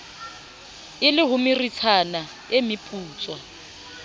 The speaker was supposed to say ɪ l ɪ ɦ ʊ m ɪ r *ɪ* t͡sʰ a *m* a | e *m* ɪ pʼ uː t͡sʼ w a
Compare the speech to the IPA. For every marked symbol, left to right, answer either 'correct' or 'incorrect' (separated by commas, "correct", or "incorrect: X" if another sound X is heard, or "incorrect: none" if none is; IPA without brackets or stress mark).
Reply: incorrect: i, incorrect: n, correct